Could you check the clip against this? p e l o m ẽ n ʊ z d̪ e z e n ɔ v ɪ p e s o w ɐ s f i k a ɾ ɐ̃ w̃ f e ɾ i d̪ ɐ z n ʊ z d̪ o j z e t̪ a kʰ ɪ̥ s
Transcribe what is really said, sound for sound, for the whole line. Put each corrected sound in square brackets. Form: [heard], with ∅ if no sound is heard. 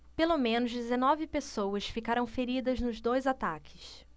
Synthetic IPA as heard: p e l o m ẽ n ʊ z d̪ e z e n ɔ v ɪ p e s o w ɐ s f i k a ɾ ɐ̃ w̃ f e ɾ i d̪ ɐ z n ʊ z d̪ o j z [a] t̪ a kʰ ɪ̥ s